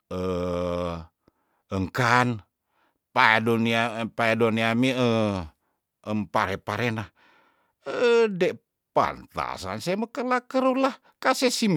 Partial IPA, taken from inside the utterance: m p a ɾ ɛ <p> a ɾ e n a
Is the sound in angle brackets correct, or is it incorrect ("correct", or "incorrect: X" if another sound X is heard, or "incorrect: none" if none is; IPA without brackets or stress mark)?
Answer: correct